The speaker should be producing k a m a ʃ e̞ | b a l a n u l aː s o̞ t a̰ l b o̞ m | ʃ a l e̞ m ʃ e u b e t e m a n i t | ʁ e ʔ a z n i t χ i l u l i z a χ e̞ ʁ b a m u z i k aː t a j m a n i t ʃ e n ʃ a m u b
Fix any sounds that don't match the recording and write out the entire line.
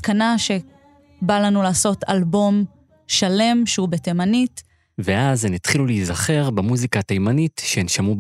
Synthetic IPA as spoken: k a n a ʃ e̞ | b a l a n u l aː s o̞ t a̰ l b o̞ m | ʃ a l e̞ m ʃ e u b e t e m a n i t | v e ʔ a z n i t χ i l u l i z a χ e̞ ʁ b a m u z i k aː t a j m a n i t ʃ e n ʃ a m u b